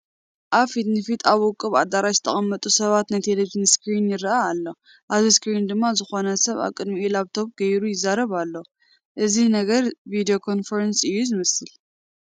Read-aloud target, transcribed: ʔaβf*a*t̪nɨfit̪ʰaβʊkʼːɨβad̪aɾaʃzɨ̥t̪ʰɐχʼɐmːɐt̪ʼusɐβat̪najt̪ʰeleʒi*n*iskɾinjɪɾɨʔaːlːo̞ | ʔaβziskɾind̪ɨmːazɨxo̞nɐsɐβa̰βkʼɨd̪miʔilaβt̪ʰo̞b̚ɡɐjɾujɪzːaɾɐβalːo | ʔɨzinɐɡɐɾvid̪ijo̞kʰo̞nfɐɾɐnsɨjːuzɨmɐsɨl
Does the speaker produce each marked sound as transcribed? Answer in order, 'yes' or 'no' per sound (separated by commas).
no, yes